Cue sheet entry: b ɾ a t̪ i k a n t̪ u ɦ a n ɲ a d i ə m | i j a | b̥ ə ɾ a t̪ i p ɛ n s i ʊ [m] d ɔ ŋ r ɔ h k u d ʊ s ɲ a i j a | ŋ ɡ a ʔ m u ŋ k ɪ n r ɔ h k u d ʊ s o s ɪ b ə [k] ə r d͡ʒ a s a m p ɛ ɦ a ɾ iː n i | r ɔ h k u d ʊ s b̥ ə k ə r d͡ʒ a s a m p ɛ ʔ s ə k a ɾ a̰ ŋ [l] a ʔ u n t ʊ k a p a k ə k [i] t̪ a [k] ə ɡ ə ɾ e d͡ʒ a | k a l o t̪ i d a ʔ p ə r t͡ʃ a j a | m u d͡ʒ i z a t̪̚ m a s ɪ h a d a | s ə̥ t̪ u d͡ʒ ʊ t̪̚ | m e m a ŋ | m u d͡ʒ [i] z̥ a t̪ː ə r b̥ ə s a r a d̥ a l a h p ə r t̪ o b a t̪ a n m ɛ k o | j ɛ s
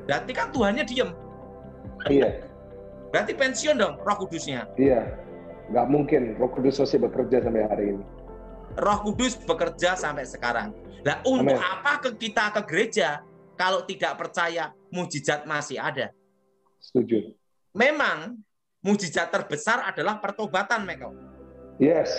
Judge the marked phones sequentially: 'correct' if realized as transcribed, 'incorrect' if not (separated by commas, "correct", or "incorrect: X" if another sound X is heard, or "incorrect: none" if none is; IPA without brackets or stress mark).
incorrect: n, correct, correct, correct, correct, correct